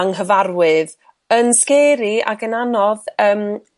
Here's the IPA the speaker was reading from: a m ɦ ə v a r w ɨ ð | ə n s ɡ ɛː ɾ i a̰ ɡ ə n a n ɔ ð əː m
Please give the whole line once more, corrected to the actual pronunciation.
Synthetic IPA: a ŋ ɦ ə v a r w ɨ ð | ə n s k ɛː ɾ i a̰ ɡ ə n a n ɔ ð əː m